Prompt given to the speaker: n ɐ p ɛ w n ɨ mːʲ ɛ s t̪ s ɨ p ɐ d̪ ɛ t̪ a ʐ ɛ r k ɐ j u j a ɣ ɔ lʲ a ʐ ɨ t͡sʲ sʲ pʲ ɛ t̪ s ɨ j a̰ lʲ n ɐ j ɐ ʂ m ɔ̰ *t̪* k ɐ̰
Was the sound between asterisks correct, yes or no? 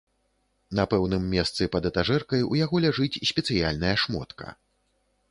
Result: yes